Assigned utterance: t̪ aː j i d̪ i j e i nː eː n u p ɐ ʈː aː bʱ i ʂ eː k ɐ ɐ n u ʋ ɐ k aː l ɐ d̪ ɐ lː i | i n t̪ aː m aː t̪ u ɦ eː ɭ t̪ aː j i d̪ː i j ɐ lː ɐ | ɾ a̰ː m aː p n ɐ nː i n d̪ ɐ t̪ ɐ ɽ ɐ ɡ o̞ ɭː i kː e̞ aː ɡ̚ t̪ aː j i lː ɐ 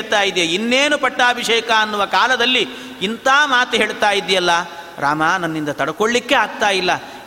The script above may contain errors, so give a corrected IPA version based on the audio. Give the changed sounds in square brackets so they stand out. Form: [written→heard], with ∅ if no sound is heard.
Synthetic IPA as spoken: t̪ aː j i d̪ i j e i nː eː n u p ɐ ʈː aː bʱ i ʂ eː k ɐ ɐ [n→nː] u ʋ ɐ k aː l ɐ d̪ ɐ lː i | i n t̪ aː m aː t̪ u ɦ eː ɭ t̪ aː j i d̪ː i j ɐ lː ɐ | ɾ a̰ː m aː [p→∅] n ɐ nː i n d̪ ɐ t̪ ɐ ɽ ɐ [ɡ→k] o̞ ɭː i kː e̞ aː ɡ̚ t̪ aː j i lː ɐ